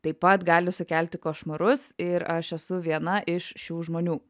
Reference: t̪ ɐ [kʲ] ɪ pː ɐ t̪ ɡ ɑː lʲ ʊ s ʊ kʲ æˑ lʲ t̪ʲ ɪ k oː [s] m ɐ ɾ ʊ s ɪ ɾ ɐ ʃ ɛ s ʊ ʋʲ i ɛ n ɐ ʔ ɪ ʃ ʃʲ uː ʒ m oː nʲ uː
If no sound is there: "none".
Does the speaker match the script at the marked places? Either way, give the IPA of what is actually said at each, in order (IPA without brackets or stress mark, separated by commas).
none, ʃ